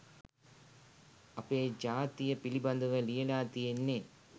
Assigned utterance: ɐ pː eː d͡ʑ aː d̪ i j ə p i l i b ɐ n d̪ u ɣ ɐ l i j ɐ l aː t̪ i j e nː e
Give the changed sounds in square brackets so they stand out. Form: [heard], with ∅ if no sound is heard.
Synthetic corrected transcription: ɐ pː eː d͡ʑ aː [t̪] i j [ɐ] p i l i b ɐ n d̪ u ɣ ɐ l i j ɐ l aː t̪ i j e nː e